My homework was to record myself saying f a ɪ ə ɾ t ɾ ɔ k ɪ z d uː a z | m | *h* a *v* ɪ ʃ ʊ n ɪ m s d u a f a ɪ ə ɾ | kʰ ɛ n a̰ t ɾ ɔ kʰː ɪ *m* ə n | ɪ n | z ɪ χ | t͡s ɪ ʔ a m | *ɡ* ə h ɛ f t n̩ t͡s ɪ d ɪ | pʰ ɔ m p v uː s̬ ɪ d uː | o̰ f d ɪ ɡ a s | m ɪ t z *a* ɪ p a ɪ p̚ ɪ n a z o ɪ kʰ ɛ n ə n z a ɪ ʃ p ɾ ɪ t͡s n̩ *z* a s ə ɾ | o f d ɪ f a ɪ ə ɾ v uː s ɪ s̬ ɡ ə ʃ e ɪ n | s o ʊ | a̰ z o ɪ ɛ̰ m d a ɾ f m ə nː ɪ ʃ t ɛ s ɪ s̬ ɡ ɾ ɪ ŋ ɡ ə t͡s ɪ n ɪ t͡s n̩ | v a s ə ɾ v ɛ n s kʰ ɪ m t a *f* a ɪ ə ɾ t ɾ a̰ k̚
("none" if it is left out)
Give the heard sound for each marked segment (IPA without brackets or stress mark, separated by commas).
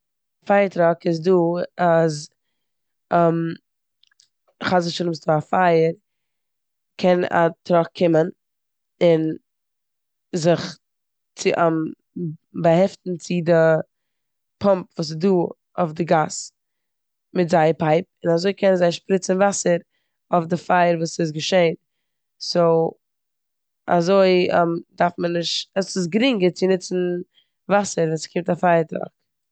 χ, z, m, b, a, v, f